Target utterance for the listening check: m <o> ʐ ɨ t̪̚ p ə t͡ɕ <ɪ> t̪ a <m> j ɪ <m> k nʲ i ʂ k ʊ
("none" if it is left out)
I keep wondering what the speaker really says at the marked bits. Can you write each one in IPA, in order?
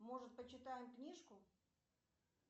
o, ɪ, none, m

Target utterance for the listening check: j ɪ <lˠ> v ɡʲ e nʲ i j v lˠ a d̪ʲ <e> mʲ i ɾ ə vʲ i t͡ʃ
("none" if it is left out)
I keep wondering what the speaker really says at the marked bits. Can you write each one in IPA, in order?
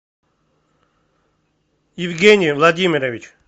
none, i

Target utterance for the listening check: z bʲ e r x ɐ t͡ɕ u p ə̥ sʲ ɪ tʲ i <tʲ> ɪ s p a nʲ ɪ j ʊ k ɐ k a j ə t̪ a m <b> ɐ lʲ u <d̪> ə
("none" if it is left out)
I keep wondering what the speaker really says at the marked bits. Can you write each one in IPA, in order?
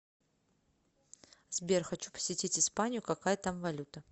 tʲ, v, t̪

